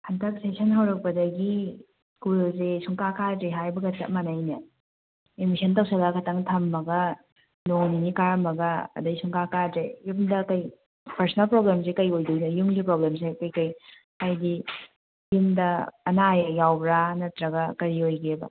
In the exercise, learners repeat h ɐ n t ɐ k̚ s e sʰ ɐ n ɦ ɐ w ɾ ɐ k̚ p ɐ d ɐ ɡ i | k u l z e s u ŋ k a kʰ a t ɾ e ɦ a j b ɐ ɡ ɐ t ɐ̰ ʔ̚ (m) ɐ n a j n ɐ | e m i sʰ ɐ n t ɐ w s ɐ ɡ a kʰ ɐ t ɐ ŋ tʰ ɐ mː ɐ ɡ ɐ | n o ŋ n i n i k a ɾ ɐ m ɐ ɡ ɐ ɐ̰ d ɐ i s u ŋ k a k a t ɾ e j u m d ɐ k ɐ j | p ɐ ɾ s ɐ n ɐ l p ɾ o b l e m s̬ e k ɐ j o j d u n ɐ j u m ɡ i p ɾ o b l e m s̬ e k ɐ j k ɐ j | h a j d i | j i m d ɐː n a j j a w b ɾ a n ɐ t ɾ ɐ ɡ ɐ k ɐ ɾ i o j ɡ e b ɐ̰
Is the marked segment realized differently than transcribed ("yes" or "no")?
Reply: no